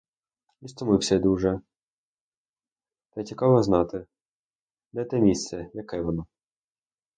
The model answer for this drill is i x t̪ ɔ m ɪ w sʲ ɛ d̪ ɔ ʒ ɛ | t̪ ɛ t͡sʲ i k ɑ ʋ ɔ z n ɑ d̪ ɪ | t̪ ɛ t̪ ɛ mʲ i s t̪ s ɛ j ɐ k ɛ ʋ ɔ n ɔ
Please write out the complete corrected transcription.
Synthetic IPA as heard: i s t̪ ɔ m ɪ w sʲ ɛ d̪ u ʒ ɛ | t̪ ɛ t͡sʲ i k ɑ ʋ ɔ z n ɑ t̪ ɪ | d̪ ɛ t̪ ɛ mʲ i s t̪ s ɛ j ɐ k ɛ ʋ ɔ n ɔ